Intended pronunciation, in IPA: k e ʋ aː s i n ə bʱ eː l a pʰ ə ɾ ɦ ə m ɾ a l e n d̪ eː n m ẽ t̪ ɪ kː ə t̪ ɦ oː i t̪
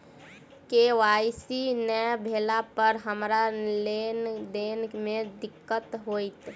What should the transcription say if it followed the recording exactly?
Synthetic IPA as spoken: k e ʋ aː s i n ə bʱ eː l a p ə ɾ ɦ ə m ɾ a l e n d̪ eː n m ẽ d̪ ɪ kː ə t̪ ɦ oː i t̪